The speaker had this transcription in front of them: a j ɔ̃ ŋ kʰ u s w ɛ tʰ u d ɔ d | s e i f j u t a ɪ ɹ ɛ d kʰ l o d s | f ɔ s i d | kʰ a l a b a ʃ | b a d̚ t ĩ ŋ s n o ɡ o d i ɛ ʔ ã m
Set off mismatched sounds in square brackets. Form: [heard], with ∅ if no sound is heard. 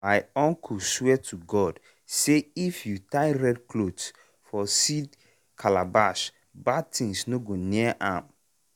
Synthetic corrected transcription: a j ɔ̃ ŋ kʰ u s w ɛ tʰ u [ɡ] ɔ d | s e i f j u t a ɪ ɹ ɛ d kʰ l o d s | f ɔ s i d | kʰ a l a b a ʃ | b a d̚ t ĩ ŋ s n o ɡ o [n] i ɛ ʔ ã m

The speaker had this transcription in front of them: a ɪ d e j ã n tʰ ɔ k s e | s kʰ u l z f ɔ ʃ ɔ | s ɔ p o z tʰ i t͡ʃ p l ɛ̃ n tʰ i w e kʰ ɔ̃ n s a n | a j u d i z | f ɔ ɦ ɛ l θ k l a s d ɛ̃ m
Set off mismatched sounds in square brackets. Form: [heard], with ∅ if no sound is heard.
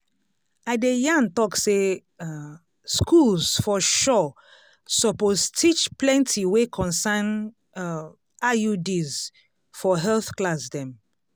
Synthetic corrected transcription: a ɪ d e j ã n [t] ɔ k s e | s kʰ u l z f ɔ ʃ ɔ | s ɔ p o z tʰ i t͡ʃ p l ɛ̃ n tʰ i w e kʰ ɔ̃ n s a n | a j u d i z | f ɔ ɦ ɛ l θ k l a s d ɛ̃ m

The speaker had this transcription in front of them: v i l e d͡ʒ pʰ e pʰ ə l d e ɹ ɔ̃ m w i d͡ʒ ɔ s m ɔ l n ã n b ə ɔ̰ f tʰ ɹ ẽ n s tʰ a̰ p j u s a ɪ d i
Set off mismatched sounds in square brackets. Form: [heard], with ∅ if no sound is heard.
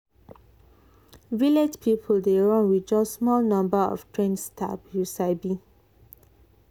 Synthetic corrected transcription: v i l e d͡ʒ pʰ [i] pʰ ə l d e ɹ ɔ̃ [n] w i d͡ʒ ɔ s m ɔ l n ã [m] b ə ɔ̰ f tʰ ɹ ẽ n s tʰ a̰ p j u s a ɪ [b] i

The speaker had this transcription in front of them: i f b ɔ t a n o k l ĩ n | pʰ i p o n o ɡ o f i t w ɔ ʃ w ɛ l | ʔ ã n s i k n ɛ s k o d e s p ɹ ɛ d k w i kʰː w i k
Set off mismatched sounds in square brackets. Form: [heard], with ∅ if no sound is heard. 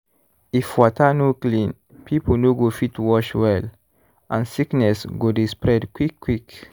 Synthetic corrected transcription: i f [w] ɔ t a n o k l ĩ n | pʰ i p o n o ɡ o f i t w ɔ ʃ w ɛ l | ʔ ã n s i k n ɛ s [ɡ] o d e s p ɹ ɛ d k w i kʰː w i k

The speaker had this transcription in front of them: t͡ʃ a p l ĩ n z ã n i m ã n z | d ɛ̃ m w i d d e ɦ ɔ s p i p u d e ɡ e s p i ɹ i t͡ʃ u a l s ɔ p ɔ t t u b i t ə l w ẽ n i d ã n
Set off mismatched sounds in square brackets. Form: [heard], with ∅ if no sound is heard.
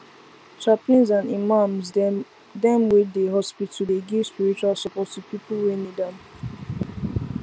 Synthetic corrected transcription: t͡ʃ a p l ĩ n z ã n i m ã [m] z | d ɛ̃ m w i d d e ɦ ɔ s p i [t] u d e ɡ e s p i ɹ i t͡ʃ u a l s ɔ p ɔ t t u [p] i [p] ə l w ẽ n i d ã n

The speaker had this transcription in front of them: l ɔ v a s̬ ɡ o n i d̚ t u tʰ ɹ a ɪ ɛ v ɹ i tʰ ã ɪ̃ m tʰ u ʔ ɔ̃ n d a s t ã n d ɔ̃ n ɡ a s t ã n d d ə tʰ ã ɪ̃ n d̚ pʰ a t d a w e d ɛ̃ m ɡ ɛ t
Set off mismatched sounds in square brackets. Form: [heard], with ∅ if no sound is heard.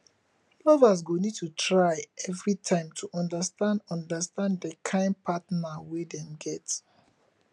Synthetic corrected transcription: l ɔ v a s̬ ɡ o n i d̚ t u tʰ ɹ a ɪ ɛ v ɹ i tʰ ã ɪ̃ m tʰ u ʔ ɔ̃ n d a s t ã n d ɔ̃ n [d] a s t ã n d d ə [kʰ] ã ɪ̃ n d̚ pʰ a t [n] a w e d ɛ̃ m ɡ ɛ t

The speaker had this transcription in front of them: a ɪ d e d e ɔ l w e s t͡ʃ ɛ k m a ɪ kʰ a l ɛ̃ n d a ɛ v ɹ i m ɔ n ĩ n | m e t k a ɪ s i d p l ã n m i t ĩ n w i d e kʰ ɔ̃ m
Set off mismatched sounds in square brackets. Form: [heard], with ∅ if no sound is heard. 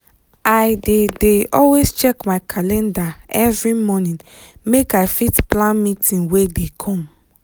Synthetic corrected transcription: a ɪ d e d e ɔ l w e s t͡ʃ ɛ k m a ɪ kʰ a l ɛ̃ n d a ɛ v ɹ i m ɔ n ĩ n | m e [∅] k a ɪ [f] i [t] p l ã n m i t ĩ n w [e] d e kʰ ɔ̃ m

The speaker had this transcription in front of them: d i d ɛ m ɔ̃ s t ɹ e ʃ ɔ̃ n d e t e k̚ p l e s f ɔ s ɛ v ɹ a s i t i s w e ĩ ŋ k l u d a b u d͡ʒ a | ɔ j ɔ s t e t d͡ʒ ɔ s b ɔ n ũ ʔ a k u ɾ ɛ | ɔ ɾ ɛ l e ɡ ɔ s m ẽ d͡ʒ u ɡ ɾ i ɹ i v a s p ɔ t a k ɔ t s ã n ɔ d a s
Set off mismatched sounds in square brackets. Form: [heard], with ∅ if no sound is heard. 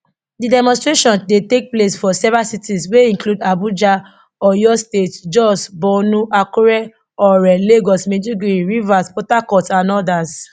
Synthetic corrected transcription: d i d ɛ m ɔ̃ s t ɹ e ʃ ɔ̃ n d e t e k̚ p l e s f ɔ s ɛ v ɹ a s i t i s w e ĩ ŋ k l u d a b u d͡ʒ a | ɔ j ɔ s t e t d͡ʒ ɔ s b ɔ n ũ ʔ a k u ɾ ɛ | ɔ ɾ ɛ l e ɡ ɔ s m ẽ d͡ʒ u ɡ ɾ i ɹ i v a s p ɔ t a k ɔ t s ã n ɔ d a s

